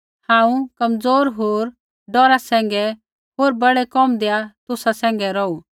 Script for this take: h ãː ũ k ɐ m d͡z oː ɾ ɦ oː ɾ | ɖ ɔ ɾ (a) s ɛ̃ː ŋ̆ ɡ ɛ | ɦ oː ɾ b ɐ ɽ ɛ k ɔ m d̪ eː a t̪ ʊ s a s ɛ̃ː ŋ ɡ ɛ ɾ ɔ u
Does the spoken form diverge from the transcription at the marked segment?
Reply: no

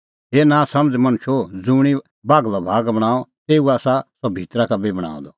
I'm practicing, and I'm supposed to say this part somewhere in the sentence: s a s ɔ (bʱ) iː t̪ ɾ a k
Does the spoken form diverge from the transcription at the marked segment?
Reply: no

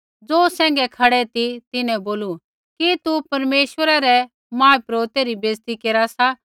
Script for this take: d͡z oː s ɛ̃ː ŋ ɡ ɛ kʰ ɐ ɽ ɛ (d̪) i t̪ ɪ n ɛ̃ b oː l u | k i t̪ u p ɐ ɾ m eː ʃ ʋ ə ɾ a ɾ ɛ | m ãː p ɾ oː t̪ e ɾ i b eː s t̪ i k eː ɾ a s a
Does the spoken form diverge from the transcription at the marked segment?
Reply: yes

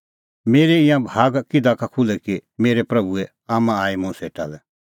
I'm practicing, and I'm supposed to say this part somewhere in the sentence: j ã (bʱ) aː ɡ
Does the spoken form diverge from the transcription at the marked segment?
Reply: no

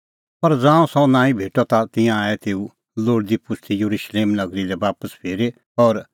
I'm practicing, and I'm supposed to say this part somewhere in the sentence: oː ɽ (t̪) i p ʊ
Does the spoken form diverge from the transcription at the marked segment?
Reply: yes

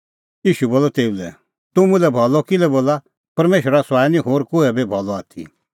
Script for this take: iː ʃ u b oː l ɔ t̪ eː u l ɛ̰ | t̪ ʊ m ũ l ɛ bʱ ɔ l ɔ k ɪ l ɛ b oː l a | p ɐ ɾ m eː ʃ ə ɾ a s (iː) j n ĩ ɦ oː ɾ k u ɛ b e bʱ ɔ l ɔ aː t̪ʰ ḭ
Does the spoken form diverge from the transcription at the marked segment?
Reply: yes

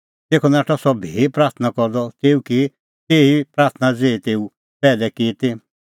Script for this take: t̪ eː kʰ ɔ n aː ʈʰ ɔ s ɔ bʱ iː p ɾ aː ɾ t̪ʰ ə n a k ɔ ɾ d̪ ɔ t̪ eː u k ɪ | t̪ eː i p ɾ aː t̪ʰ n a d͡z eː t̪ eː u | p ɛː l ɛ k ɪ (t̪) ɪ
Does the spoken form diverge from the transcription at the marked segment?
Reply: no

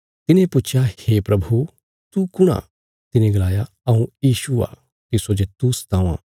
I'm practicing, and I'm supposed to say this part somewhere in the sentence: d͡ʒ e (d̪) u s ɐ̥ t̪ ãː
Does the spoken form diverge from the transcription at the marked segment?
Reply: yes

